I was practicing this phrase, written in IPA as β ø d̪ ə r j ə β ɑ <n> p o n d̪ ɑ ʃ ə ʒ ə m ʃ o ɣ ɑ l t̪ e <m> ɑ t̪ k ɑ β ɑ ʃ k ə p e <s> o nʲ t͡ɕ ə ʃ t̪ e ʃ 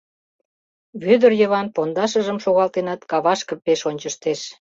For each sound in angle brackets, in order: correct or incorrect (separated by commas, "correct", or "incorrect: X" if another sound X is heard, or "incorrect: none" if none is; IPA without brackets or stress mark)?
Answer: correct, incorrect: n, incorrect: ʃ